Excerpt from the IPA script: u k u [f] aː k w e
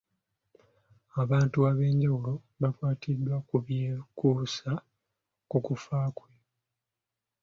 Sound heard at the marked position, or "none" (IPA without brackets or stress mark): f